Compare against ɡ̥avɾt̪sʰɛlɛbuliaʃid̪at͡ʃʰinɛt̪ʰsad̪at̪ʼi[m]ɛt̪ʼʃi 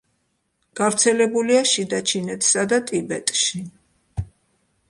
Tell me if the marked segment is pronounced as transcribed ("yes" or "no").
no